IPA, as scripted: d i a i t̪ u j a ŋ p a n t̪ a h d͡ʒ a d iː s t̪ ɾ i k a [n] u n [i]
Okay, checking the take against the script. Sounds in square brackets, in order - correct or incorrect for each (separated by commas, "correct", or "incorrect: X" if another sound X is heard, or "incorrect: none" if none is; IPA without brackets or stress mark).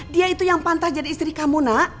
incorrect: m, incorrect: a